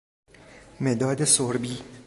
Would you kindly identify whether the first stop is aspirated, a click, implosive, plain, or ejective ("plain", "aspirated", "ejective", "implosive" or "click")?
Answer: plain